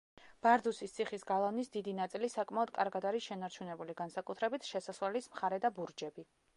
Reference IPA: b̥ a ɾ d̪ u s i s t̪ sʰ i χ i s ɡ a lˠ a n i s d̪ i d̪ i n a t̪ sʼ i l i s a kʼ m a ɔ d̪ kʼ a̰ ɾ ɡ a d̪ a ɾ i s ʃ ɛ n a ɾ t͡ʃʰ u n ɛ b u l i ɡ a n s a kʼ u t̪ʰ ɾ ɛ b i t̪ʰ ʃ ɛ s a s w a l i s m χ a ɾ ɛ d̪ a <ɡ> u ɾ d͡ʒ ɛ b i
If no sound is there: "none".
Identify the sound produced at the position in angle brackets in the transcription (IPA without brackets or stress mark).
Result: b